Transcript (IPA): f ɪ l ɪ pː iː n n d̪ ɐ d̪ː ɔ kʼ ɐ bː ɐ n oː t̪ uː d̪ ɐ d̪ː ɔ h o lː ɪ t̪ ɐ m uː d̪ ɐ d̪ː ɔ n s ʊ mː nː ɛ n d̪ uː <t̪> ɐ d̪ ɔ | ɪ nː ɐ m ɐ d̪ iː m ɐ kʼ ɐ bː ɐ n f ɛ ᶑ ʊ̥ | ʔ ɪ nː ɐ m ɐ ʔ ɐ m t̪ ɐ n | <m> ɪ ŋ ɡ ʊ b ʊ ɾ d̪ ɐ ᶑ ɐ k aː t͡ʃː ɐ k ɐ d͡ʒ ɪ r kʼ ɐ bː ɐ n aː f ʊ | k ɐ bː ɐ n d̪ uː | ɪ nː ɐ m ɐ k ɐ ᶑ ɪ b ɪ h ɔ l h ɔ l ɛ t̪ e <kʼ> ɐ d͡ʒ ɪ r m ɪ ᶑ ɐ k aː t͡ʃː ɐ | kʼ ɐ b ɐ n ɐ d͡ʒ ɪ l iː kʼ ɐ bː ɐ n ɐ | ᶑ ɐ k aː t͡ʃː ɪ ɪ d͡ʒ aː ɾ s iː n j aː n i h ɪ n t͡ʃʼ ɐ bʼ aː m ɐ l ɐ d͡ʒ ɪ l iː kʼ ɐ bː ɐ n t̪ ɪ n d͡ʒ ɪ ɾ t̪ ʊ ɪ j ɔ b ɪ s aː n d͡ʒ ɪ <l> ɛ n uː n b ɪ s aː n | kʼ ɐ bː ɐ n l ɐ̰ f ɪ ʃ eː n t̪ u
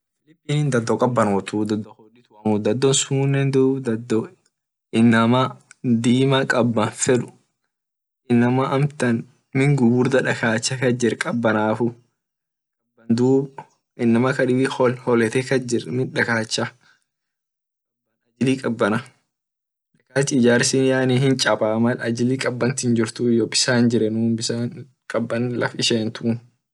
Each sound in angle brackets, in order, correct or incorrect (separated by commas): incorrect, correct, incorrect, incorrect